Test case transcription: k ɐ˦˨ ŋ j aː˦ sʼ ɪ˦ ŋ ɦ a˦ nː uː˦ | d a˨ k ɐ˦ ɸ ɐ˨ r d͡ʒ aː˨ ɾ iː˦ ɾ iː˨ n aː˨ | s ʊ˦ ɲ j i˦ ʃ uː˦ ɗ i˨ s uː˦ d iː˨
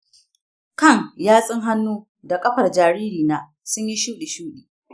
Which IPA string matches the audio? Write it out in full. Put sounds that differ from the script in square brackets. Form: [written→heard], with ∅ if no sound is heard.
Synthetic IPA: k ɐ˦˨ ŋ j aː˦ sʼ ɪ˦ ŋ ɦ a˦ nː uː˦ | d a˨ [k→kʼ] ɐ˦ ɸ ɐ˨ r d͡ʒ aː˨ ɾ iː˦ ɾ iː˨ n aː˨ | s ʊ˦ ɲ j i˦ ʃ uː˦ ɗ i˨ [s→ʃ] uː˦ [d→ɗ] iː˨